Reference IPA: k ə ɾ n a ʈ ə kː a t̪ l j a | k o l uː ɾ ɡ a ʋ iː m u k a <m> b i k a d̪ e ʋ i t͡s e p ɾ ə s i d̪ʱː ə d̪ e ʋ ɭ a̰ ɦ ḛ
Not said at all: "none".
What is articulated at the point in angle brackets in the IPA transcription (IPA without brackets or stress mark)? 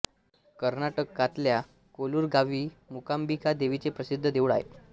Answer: m